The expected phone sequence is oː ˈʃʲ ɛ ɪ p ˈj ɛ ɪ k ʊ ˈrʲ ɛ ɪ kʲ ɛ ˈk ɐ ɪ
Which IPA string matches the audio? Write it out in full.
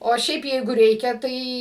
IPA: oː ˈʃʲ ɛ ɪ p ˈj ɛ ɪ ɡ ʊ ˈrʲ ɛ ɪ kʲ ɛ ˈt ɐ ɪ